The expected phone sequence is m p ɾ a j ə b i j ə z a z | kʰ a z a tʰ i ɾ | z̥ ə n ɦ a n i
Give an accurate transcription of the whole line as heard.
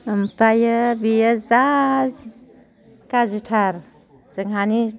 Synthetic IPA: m p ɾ a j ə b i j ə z a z | k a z i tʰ a ɾ | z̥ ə ŋ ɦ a n i